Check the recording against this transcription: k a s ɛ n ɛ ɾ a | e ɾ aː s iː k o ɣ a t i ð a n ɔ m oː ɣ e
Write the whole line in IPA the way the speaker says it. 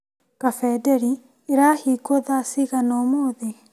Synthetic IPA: k a f ɛ d ɛ ɾ i | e ɾ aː h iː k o ð a s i ɣ a n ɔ m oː ð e

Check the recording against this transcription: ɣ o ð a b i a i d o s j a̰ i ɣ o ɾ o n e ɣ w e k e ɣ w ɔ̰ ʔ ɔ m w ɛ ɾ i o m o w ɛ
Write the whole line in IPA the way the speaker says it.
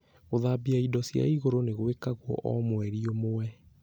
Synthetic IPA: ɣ o ð a b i a i d ɔ s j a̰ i ɣ o ɾ o n e ɣ w e k a ɣ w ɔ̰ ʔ ɔ m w ɛ ɾ i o m o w ɛ

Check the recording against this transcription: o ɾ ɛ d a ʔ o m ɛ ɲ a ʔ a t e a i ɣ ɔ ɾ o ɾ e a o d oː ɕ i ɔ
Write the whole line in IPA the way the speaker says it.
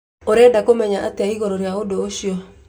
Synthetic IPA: o ɾ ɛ d a k o m ɛ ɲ a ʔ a t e a i ɣ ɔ ɾ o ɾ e a o d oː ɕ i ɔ

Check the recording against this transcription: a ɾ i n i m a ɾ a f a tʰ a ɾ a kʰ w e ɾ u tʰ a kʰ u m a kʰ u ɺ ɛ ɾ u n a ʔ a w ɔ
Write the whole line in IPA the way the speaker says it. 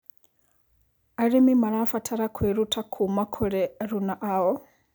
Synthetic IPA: a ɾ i m i m a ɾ a f a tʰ a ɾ a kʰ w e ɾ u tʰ a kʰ u m a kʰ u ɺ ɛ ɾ u n a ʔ a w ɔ

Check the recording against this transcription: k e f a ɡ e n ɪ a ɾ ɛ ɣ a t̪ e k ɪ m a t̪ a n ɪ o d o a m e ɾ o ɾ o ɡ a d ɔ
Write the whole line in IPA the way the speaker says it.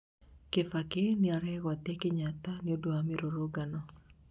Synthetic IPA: k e f a k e n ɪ a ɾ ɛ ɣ a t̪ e k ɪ ɲ a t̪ a n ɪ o d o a m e ɾ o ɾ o ɡ a n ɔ

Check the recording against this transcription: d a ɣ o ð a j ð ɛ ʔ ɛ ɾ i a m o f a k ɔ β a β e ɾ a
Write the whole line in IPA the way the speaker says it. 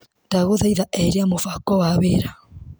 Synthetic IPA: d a ɣ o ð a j ð a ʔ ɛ ɾ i a m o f a k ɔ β a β e ɾ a

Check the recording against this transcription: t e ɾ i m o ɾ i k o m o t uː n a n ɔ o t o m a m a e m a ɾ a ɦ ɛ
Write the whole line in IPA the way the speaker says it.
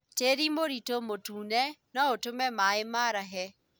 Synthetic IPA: t e ɾ i m o ɾ i t o m o t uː n ɛ n ɔ o t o m ɛ m a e m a ɾ a ɦ ɛ

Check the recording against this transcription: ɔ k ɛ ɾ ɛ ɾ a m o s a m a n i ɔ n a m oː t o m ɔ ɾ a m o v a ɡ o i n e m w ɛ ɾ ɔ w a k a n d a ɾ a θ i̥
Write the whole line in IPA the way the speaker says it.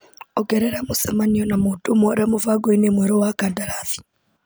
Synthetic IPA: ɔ ɡ ɛ ɾ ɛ ɾ a m o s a m a n i ɔ n a m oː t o m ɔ ɾ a m o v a ɡ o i n e m w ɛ ɾ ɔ w a k a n d a ɾ a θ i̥

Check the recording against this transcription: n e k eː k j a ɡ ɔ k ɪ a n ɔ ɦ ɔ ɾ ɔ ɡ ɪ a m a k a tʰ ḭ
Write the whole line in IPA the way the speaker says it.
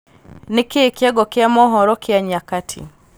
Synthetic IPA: n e k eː k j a ɡ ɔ k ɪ a m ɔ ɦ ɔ ɾ ɔ k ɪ a ɲ a k a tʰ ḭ

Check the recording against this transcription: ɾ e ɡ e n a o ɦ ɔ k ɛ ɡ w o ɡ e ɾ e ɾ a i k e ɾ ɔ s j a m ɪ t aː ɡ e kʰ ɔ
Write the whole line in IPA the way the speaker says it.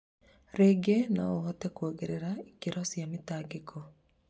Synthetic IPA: ɾ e ɡ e n a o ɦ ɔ t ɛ k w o ɡ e ɾ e ɾ a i k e ɾ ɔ s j a m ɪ t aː ɡ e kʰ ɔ

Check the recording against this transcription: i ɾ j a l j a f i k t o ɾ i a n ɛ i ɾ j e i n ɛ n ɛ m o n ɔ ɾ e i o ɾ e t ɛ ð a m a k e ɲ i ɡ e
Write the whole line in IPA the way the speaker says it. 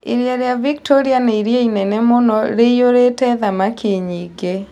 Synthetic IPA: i ɾ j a ɾ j a v i k t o ɾ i a n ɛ i ɾ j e i n ɛ n ɛ m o n ɔ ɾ e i o ɾ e t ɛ ð a m a k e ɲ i ɡ e

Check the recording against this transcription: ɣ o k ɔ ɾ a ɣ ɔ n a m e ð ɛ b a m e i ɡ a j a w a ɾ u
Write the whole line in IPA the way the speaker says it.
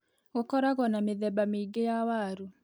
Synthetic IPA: ɣ o k ɔ ɾ a ɣ ɔ n a m e ð ɛ b a m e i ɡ e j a w a ɾ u

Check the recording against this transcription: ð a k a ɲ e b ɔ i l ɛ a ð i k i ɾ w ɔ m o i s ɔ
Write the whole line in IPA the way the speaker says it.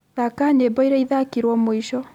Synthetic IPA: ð a k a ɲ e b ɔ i ɾ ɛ i ð a k i ɾ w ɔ m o i ʃ ɔ

